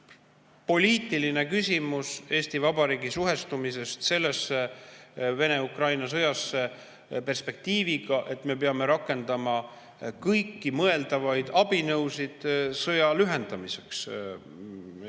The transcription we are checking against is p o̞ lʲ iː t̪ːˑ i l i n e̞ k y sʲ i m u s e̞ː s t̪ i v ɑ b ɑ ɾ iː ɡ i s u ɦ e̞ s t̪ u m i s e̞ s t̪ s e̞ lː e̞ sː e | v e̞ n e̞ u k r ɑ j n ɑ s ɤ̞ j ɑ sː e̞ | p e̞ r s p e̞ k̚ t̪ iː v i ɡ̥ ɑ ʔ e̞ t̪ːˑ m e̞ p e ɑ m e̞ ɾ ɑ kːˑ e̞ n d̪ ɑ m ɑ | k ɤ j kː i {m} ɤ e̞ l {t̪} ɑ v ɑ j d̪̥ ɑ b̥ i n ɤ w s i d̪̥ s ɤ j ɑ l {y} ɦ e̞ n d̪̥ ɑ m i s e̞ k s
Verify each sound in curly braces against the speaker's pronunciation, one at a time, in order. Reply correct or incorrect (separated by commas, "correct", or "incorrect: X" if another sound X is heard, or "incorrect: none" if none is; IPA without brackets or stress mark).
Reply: correct, incorrect: d̪, correct